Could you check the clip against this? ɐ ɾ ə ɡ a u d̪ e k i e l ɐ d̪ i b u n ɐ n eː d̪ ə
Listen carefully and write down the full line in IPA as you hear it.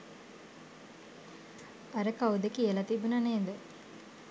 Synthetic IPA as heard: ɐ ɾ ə k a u d̪ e k i e l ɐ t̪ i b u n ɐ n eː d̪ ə